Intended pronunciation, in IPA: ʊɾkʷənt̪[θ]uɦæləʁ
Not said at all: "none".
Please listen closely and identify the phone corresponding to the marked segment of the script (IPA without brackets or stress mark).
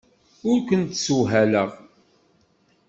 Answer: s